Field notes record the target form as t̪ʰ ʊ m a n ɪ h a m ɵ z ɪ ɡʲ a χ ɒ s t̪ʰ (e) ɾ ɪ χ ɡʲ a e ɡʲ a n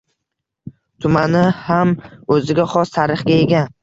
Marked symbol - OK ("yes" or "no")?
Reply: no